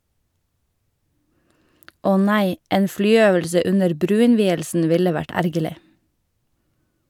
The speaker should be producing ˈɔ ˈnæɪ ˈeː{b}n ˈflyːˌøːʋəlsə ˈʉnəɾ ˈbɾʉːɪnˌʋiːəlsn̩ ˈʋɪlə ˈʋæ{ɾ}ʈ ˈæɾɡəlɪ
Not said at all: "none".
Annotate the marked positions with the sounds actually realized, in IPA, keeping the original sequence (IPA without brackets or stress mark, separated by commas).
none, none